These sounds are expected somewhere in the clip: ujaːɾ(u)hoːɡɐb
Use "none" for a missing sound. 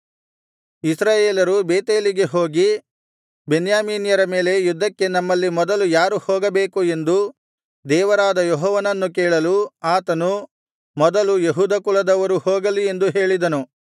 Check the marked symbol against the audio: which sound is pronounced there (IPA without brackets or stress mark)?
u